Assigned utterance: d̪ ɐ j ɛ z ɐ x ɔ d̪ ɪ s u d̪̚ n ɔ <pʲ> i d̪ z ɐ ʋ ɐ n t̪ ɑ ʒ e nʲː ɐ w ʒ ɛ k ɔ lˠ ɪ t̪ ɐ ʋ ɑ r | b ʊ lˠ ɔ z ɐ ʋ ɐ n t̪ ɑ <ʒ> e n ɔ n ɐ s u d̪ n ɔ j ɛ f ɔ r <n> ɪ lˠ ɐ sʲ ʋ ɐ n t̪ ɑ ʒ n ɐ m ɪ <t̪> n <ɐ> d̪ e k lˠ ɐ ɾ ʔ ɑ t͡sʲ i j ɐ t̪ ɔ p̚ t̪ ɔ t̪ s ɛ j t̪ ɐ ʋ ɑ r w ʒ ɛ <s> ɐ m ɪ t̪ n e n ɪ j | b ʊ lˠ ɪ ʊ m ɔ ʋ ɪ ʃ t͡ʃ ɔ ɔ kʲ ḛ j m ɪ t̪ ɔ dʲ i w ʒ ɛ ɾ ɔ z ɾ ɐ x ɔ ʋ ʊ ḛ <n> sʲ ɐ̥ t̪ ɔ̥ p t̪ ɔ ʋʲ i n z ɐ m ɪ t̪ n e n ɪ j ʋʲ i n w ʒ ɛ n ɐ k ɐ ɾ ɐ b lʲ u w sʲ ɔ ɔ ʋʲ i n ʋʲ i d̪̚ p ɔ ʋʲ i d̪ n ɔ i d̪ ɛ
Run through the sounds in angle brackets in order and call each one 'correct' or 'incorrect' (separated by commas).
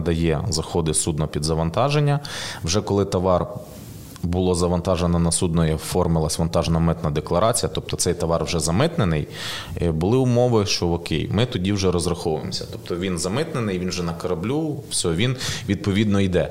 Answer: correct, correct, incorrect, correct, correct, incorrect, incorrect